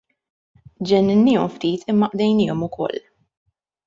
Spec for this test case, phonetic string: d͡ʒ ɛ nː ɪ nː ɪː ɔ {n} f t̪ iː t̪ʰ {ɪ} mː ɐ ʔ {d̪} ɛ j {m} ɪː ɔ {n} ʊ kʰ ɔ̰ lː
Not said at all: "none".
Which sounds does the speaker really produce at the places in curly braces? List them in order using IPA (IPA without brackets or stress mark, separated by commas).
m, ɪ, d̪, n, m